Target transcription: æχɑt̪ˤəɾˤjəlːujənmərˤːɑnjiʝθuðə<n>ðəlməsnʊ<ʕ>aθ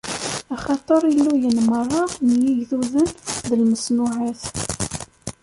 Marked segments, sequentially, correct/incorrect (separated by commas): correct, correct